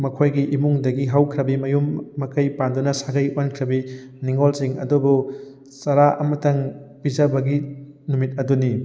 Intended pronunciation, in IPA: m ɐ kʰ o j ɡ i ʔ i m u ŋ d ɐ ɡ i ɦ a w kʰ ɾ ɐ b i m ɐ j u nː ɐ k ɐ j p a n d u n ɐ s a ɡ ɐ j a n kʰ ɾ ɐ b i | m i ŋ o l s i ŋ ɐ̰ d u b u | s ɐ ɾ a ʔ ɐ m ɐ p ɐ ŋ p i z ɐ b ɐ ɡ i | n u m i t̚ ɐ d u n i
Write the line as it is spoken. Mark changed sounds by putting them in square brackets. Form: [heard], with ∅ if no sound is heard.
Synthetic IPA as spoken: m ɐ kʰ o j ɡ i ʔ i m u ŋ d ɐ ɡ i ɦ a w kʰ ɾ ɐ b i m ɐ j u [mː] ɐ k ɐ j p a n d u n ɐ s a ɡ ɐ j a n kʰ ɾ ɐ b i | [n] i ŋ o l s i ŋ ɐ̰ d u b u | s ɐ ɾ a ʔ ɐ m ɐ [t] ɐ ŋ p i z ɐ b ɐ ɡ i | n u m i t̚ ɐ d u n i

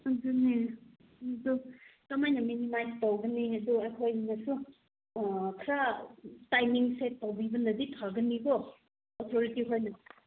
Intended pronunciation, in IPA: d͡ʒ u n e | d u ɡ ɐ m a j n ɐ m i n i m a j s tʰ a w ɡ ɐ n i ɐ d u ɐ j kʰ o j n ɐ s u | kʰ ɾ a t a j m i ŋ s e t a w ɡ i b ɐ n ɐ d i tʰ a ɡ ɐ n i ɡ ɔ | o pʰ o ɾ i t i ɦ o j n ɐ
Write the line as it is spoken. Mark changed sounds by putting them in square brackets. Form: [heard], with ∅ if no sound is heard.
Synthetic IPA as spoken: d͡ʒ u n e | d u [k] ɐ m a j n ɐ m i n i m a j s [t] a w ɡ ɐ n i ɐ d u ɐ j kʰ o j n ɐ s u | kʰ ɾ a t a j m i ŋ s e t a w [b] i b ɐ n ɐ d i tʰ a ɡ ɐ n i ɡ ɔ | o [tʰ] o ɾ i t i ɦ o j n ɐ

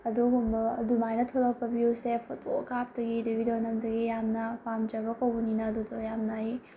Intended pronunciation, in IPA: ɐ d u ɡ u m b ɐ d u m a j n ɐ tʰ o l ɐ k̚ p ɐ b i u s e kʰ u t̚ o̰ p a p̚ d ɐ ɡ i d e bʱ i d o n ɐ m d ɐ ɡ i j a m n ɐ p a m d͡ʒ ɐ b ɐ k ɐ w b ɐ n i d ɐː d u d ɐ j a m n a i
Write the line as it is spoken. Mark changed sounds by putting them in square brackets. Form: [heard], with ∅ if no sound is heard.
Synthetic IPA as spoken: ɐ d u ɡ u m b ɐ d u m a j n ɐ tʰ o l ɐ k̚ p ɐ b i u s e [pʰ] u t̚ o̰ [k] a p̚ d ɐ ɡ i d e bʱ i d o n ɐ m d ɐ ɡ i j a m n ɐ p a m d͡ʒ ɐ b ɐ k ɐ w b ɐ n i [n] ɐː d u d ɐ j a m n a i

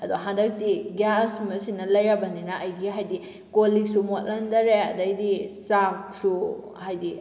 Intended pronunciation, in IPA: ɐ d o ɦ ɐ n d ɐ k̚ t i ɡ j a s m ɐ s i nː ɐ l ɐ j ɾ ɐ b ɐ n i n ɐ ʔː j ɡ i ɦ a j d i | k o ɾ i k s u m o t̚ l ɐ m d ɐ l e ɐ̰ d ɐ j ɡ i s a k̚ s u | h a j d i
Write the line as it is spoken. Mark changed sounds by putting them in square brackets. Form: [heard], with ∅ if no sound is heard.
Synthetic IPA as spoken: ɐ d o ɦ [a] n d ɐ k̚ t i ɡ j a s m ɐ s i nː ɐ l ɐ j ɾ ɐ b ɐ n i n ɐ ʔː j ɡ i ɦ a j d i | k o [l] i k s u m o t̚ l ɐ [n] d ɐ [ɾ] e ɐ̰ d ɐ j [d] i s a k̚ s u | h a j d i

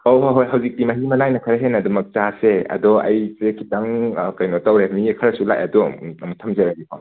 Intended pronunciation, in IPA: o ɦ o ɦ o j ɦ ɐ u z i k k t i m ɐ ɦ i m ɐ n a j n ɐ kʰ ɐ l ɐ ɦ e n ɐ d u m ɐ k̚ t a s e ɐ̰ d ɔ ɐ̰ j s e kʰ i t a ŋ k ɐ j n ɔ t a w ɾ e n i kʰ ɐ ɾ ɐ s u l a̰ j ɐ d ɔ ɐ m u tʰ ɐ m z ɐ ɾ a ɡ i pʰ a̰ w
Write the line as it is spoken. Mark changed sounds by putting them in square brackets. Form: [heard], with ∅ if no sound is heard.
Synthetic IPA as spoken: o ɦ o ɦ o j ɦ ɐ [w] z i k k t i m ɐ ɦ i m ɐ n a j n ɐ kʰ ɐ [ɾ] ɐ ɦ e n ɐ d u m ɐ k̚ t a s e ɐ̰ d ɔ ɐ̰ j s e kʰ i t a ŋ k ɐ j n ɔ t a w ɾ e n i kʰ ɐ ɾ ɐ s u l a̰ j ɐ d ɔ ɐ m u tʰ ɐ m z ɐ ɾ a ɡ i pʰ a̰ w

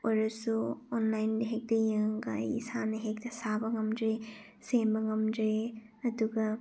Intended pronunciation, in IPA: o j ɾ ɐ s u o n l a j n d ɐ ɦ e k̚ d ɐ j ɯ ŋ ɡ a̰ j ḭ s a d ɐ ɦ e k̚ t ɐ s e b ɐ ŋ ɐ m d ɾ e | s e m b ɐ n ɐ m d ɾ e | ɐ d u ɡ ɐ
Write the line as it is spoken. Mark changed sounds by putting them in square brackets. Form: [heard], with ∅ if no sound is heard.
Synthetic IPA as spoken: o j ɾ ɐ s u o n l a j n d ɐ ɦ e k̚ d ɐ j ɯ ŋ ɡ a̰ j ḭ s a [n] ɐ ɦ e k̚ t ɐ s [a] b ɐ ŋ ɐ m d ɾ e | s e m b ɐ [ŋ] ɐ m d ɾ e | ɐ d u ɡ ɐ

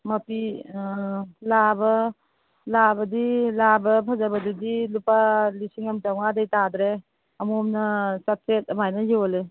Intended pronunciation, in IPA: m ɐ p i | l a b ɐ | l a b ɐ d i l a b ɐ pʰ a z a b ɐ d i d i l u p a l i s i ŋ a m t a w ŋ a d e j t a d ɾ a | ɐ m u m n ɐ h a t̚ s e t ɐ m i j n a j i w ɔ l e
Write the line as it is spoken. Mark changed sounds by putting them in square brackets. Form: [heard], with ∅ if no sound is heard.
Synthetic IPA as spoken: m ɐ p i | l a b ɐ | l a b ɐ d i l a b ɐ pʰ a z a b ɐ d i d i l u p a l i s i ŋ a m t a w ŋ a d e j t a d ɾ [e] | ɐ m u m n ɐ [s] a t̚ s e t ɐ m [a] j n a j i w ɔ l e

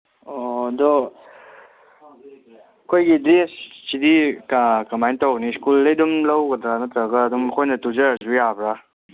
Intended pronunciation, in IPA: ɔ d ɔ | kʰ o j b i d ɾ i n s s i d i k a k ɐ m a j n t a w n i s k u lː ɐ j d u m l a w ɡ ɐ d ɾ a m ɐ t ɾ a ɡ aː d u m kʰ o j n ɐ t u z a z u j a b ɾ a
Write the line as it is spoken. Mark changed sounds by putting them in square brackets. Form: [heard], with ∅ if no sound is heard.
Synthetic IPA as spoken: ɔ d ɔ | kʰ o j [ɡ] i d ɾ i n s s i d i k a k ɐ m a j n t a w n i s k u lː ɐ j d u m l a w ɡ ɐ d ɾ a [n] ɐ t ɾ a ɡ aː d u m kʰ o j n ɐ t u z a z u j a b ɾ a

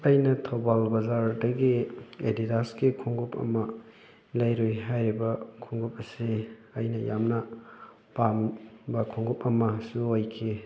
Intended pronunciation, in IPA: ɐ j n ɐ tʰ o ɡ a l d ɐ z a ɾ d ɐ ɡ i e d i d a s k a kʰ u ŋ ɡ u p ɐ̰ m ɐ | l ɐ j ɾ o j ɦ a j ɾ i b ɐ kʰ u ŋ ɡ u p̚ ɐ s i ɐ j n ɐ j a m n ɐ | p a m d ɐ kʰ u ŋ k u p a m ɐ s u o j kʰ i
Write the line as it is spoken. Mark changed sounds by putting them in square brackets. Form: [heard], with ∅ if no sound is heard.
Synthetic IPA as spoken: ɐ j n ɐ tʰ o [b] a l [b] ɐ z a ɾ d ɐ ɡ i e d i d a s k [i] kʰ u ŋ ɡ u p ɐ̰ m ɐ | l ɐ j ɾ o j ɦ a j ɾ i b ɐ kʰ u ŋ ɡ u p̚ ɐ s i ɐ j n ɐ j a m n ɐ | p a m [b] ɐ kʰ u ŋ [ɡ] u p [ɐ] m ɐ s u o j kʰ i

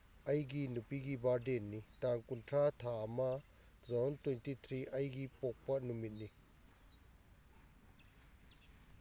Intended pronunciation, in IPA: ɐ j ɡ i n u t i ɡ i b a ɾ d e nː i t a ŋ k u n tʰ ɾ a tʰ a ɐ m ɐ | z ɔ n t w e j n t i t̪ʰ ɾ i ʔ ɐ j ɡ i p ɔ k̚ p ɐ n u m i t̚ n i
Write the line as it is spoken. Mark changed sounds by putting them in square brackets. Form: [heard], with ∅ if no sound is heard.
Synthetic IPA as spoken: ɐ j ɡ i n u [p] i ɡ i b a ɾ d e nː i t a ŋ k u n tʰ ɾ a tʰ a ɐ m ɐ | z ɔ n t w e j n t i t̪ʰ ɾ i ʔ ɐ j ɡ i p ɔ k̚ p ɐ n u m i t̚ n i

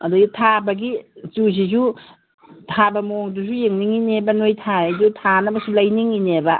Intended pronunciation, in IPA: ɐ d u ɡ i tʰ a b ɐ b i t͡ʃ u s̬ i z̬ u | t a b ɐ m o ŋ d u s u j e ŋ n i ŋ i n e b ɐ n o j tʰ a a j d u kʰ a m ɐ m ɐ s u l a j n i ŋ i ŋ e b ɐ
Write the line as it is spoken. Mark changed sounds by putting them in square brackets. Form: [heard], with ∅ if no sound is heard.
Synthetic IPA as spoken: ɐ d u ɡ i tʰ a b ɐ [ɡ] i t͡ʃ u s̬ i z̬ u | [tʰ] a b ɐ m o ŋ d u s u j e ŋ n i ŋ i n e b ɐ n o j tʰ a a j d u [tʰ] a [n] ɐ [b] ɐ s u l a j n i ŋ i [n] e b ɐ

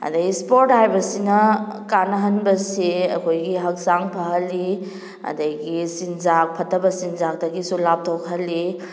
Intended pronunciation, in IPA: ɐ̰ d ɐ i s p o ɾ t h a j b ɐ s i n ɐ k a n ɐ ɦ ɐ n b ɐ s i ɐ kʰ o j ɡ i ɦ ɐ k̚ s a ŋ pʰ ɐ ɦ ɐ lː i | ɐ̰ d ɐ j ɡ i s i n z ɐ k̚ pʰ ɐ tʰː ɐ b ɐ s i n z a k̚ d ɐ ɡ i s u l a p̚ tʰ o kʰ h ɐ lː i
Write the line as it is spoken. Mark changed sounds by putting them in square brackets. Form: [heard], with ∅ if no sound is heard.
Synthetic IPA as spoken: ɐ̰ d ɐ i s p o ɾ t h a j b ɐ s i n ɐ k a n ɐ ɦ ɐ n b ɐ s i ɐ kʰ o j ɡ i ɦ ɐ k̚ s a ŋ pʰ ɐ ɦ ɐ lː i | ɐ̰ d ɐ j ɡ i s i n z [a] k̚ pʰ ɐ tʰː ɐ b ɐ s i n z a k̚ d ɐ ɡ i s u l a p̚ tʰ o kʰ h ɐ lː i

